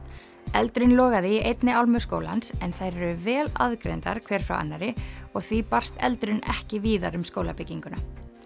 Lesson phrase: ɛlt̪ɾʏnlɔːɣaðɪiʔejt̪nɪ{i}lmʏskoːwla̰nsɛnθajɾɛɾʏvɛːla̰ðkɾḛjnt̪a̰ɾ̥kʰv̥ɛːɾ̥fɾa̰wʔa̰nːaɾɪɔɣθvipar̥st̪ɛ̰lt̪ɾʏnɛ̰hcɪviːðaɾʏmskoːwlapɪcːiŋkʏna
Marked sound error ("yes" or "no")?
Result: yes